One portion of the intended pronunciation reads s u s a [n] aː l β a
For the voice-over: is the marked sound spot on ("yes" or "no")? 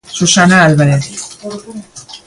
yes